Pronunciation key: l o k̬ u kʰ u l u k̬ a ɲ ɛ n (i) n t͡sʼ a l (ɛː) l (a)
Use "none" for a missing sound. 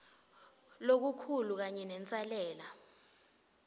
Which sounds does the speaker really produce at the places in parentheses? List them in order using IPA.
ɛ, ɛː, a

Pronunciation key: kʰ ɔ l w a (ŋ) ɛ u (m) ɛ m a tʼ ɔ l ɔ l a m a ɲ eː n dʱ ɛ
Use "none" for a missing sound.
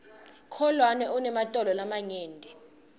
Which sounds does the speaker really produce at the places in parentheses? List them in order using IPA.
n, n

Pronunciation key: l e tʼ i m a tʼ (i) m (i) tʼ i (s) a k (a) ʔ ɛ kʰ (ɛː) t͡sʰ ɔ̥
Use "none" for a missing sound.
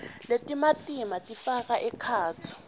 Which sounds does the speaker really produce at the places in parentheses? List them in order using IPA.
i, a, f, a, aː

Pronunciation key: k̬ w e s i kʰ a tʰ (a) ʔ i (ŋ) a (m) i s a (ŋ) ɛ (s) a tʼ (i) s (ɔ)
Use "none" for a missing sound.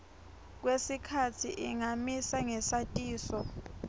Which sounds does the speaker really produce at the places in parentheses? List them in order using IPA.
i, ŋ, m, ŋ, s, iː, ɔ

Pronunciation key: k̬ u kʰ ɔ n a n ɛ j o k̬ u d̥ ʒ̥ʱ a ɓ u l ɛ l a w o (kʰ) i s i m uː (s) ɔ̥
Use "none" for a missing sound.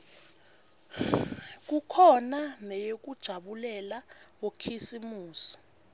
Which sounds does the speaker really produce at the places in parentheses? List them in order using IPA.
kʰ, s

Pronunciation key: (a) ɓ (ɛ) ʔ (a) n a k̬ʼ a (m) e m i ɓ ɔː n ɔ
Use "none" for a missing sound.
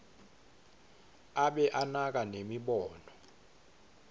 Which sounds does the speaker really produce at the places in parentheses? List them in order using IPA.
a, ɛ, a, n

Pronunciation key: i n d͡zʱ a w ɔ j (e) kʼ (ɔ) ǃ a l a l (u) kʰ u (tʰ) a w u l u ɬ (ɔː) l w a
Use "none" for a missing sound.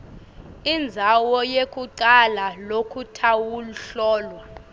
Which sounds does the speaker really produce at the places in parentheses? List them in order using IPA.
e, u, o, tʰ, ɔː

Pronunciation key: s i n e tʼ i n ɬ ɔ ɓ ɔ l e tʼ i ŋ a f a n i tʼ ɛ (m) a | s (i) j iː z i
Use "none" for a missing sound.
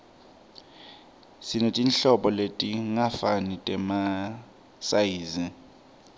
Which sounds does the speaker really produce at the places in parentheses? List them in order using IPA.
m, a

